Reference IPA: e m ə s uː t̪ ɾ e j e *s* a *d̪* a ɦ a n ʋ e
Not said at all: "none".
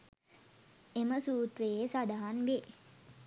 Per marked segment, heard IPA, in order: s, d̪

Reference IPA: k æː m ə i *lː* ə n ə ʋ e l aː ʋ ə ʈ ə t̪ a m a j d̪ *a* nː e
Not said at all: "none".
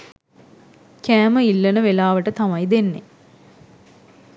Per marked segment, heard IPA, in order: lː, e

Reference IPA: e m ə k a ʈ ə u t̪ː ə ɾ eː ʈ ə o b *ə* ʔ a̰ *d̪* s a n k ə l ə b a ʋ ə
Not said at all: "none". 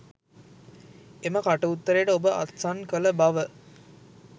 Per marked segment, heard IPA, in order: ə, t̪

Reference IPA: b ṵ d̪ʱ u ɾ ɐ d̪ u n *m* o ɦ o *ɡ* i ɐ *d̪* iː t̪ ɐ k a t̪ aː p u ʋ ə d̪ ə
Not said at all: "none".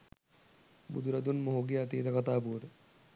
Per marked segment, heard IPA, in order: m, ɡ, t̪

